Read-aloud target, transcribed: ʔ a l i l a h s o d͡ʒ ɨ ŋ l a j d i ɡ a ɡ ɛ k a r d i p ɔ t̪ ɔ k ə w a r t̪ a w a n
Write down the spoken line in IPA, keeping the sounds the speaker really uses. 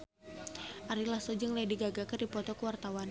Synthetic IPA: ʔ a ɾ i l a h s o d͡ʒ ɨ ŋ l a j d i ɡ a ɡ a k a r d i p ɔ t̪ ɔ k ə w a r t̪ a w a n